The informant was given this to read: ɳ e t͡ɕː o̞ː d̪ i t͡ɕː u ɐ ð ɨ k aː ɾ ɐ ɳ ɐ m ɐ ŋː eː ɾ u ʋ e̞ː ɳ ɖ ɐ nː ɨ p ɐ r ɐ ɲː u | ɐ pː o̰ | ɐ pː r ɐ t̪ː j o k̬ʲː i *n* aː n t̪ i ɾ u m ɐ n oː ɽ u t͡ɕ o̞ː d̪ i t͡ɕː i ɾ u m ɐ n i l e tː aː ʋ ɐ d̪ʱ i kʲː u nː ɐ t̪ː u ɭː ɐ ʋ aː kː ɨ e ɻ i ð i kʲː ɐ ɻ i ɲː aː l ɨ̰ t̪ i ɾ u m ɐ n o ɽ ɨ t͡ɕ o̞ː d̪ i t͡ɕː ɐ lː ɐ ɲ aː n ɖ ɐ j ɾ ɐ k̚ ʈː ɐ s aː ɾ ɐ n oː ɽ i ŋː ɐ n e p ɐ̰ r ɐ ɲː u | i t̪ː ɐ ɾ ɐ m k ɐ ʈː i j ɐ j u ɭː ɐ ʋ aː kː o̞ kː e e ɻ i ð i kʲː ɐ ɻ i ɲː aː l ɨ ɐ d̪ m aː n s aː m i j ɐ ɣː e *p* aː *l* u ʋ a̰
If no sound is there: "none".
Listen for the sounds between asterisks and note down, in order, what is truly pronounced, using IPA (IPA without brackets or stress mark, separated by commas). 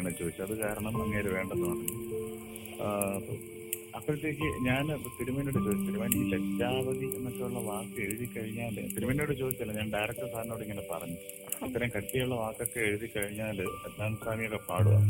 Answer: ɲ, p, ɽ